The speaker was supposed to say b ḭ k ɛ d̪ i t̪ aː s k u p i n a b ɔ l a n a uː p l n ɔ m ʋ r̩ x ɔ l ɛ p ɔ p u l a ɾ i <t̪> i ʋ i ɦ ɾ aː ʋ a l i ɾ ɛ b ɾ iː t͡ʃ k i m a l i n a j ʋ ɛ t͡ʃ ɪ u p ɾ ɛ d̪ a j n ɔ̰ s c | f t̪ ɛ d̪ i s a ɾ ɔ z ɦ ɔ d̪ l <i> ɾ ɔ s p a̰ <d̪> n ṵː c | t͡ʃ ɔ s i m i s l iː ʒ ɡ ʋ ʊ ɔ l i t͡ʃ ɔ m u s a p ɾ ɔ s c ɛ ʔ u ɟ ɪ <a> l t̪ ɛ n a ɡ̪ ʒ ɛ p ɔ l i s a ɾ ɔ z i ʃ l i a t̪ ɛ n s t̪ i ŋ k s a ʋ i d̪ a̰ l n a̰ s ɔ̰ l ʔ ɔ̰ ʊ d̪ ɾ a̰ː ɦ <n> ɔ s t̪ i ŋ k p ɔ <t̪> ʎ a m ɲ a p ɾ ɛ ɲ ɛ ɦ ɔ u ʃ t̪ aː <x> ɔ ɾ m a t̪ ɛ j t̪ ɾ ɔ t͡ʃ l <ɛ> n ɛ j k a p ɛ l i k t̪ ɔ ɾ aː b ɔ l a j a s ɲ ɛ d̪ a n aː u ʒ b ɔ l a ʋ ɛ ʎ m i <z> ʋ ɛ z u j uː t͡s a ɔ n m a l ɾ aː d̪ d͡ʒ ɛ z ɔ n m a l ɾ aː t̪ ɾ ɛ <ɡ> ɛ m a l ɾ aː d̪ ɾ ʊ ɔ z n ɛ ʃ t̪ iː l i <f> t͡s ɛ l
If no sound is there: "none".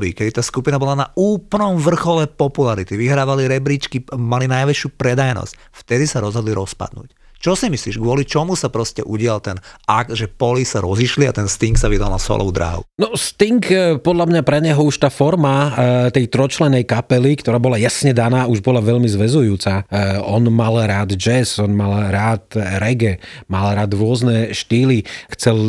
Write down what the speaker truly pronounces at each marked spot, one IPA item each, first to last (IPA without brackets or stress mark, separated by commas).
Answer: t̪, i, d̪, a, n, d̪, f, ɛ, z, ɡ, x